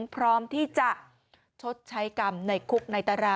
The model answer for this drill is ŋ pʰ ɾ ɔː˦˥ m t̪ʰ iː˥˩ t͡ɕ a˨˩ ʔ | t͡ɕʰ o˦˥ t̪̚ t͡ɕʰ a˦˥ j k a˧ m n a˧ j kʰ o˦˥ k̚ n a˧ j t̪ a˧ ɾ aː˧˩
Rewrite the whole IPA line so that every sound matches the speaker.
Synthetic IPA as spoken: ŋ pʰ ɾ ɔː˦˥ m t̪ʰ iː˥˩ t͡ɕ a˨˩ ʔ | t͡ɕʰ o˦˥ t̪̚ t͡ɕʰ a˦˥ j k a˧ m n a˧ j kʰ u˦˥ k̚ n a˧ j t̪ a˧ ɾ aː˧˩